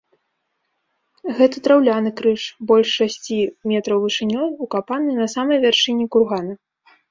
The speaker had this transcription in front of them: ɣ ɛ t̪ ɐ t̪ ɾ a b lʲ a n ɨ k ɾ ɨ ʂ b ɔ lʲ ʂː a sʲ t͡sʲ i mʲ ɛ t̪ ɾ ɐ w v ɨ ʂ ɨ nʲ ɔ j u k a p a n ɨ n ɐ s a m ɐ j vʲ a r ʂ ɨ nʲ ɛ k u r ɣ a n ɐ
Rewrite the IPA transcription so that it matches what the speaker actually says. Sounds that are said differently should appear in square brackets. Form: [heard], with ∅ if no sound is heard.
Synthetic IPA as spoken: ɣ ɛ t̪ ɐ t̪ ɾ a [w] lʲ a n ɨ k ɾ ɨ ʂ b ɔ lʲ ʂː a sʲ t͡sʲ i mʲ ɛ t̪ ɾ ɐ w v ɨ ʂ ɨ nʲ ɔ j u k a p a n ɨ n ɐ s a m ɐ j vʲ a r ʂ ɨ nʲ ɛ k u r ɣ a n ɐ